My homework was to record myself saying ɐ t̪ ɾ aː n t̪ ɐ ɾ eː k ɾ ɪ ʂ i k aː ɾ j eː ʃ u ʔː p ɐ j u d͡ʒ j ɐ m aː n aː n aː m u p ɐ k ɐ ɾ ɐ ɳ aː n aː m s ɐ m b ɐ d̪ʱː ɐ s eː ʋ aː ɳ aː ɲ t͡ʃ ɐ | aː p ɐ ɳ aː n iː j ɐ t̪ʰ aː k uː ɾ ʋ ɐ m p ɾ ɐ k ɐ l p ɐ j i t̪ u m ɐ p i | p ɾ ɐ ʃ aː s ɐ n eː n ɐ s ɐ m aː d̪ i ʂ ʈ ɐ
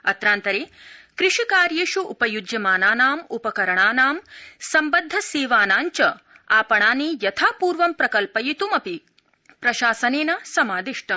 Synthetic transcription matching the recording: ɐ t̪ ɾ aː n t̪ ɐ ɾ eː k ɾ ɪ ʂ i k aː ɾ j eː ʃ u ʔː p ɐ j u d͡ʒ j ɐ m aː n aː n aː m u p ɐ k ɐ ɾ ɐ ɳ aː n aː m s ɐ m b ɐ d̪ʱː ɐ s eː ʋ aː n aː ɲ t͡ʃ ɐ | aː p ɐ ɳ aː n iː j ɐ t̪ʰ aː p uː ɾ ʋ ɐ m p ɾ ɐ k ɐ l p ɐ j i t̪ u m ɐ p i | p ɾ ɐ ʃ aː s ɐ n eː n ɐ s ɐ m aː d̪ i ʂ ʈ ɐ

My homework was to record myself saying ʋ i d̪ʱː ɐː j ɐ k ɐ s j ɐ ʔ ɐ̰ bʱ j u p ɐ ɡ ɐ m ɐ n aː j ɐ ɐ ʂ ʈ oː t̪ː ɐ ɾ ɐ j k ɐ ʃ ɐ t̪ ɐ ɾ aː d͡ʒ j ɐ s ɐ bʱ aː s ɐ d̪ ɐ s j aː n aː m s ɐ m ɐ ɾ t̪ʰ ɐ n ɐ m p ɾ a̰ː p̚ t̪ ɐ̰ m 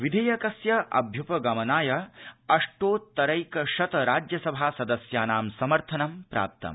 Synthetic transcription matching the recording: ʋ i d̪ʱ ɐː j ɐ k ɐ s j ɐ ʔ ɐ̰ bʱ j u p ɐ ɡ ɐ m ɐ n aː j ɐ ɐ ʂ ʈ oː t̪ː ɐ ɾ ɐ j k ɐ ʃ ɐ t̪ ɐ ɾ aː d͡ʒ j ɐ s ɐ bʱ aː s ɐ d̪ ɐ s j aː n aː m s ɐ m ɐ ɾ t̪ʰ ɐ n ɐ m p ɾ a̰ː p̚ t̪ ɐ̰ m

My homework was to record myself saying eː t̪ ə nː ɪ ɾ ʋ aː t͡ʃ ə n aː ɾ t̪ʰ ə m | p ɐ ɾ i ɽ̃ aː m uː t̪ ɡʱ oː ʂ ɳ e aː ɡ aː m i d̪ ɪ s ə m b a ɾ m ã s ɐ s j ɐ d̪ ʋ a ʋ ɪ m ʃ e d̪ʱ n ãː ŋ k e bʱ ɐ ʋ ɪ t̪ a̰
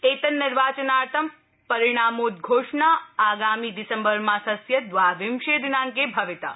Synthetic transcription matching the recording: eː t̪ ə nː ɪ ɾ ʋ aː t͡ʃ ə n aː ɾ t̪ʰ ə m | p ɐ ɾ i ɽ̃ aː m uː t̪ ɡʱ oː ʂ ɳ a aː ɡ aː m i d̪ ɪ s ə m b ə ɾ m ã s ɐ s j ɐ d̪ ʋ a ʋ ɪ m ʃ e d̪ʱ n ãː ŋ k e bʱ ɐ ʋ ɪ t̪ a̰

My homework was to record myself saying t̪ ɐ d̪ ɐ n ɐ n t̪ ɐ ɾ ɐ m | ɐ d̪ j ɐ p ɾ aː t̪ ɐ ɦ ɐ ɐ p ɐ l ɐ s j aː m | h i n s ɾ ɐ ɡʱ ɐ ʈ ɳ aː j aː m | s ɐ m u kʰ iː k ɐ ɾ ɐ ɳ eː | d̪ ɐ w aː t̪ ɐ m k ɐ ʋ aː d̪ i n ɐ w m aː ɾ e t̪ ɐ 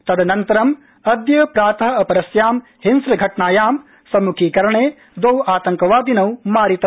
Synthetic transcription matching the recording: t̪ ɐ d̪ ɐ n ɐ n t̪ ɐ ɾ ɐ m | ɐ d̪ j ɐ p ɾ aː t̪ ɐ ɦ ɐ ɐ p ɐ ɾ ɐ s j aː m | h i n s ɾ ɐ ɡʱ ɐ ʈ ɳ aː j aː m | s ɐ m u kʰ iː k ɐ ɾ ɐ ɳ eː | d̪ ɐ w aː t̪ ɐ ŋ k ɐ ʋ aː d̪ i n ɐ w m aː ɾ i t̪ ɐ

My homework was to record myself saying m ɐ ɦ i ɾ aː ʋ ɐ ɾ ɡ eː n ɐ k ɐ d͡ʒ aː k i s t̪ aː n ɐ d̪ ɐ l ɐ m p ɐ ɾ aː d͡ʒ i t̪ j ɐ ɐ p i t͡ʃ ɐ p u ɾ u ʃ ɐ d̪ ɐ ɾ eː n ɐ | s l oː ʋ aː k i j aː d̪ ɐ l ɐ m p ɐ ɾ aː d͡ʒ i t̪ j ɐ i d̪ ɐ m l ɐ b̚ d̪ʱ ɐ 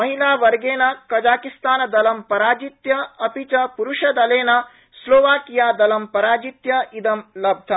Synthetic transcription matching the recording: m ɐ ɦ i l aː ʋ ɐ ɾ ɡ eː n ɐ k ɐ d͡ʒ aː k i s t̪ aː n ɐ d̪ ɐ l ɐ m p ɐ ɾ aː d͡ʒ i t̪ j ɐ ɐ p i t͡ʃ ɐ p u ɾ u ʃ ɐ d̪ ɐ l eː n ɐ | s l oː ʋ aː k i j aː d̪ ɐ l ɐ m p ɐ ɾ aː d͡ʒ i t̪ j ɐ i d̪ ɐ m l ɐ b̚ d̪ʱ ɐ

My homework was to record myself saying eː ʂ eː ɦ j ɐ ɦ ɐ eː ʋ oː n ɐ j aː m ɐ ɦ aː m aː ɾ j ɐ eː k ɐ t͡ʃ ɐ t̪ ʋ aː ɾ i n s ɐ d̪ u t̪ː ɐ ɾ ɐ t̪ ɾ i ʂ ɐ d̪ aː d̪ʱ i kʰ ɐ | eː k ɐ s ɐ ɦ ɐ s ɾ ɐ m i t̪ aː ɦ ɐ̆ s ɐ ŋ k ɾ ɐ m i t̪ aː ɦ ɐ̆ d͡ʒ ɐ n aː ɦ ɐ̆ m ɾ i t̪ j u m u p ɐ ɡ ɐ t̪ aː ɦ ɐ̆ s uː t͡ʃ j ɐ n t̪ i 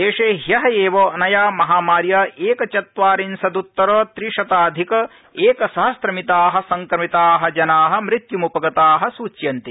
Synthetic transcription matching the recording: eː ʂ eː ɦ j ɐ ɦ ɐ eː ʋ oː n ɐ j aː m ɐ ɦ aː m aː ɾ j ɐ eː k ɐ t͡ʃ ɐ t̪ ʋ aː ɾ i n s ɐ d̪ u t̪ː ɐ ɾ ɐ t̪ ɾ i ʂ ɐ t̪ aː d̪ʱ i k ɐ | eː k ɐ s ɐ ɦ ɐ s ɾ ɐ m i t̪ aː ɦ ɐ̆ s ɐ ŋ k ɾ ɐ m i t̪ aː ɦ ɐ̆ d͡ʒ ɐ n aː ɦ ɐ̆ m ɾ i t̪ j u m u p ɐ ɡ ɐ t̪ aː ɦ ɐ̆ s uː t͡ʃ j ɐ n t̪ i

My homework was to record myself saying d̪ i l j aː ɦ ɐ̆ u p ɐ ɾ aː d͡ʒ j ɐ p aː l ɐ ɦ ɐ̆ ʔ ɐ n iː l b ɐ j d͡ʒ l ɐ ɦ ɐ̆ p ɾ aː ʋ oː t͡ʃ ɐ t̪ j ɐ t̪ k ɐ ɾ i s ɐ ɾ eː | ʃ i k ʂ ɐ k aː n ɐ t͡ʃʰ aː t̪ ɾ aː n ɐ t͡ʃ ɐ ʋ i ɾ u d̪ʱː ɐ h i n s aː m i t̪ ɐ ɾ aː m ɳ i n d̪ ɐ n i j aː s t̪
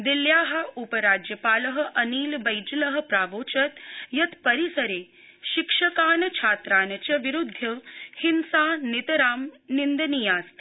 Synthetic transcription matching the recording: d̪ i l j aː ɦ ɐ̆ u p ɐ ɾ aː d͡ʒ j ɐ p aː l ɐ ɦ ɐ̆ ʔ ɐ n iː l b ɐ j d͡ʒ l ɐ ɦ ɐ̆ p ɾ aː ʋ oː t͡ʃ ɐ t̪ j ɐ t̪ p ɐ ɾ i s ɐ ɾ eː | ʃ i k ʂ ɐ k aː n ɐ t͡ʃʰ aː t̪ ɾ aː n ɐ t͡ʃ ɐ ʋ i ɾ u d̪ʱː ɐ h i n s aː n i t̪ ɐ ɾ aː m n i n d̪ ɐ n i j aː s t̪

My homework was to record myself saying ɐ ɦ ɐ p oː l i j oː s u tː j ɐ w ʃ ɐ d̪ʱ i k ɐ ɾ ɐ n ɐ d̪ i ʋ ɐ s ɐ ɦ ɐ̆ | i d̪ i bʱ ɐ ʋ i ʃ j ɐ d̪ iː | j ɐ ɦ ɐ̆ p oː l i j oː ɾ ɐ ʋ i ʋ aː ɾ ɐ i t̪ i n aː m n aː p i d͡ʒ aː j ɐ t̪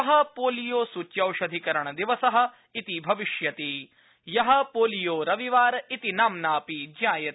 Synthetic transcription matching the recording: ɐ ɦ ɐ p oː l i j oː s u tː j ɐ w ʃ ɐ d̪ʱ i k ɐ ɾ ɐ ɳ ɐ d̪ i ʋ ɐ s ɐ ɦ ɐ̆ | i t̪ i bʱ ɐ ʋ i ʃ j ɐ t̪ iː | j ɐ ɦ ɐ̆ p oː l i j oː ɾ ɐ ʋ i ʋ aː ɾ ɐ i t̪ i n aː m n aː p i d͡ʒ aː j ɐ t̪

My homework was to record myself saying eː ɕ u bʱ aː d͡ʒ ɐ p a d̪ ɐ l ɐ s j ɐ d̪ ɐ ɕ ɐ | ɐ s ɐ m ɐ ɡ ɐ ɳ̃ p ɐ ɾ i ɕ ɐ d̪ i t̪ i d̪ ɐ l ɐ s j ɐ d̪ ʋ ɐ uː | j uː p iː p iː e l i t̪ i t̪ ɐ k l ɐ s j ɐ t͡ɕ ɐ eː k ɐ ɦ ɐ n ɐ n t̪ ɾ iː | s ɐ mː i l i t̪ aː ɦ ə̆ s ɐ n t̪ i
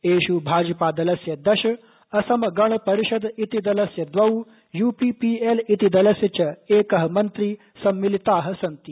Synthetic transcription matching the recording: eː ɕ u bʱ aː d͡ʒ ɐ p a d̪ ɐ l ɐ s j ɐ d̪ ɐ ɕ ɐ | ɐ s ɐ m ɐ ɡ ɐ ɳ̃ p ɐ ɾ i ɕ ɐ d̪ i t̪ i d̪ ɐ l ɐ s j ɐ d̪ ʋ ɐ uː | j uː p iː p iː e l i t̪ i d̪ ɐ l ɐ s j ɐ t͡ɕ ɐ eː k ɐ ɦ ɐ m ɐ n t̪ ɾ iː | s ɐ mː i l i t̪ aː ɦ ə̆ s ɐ n t̪ i

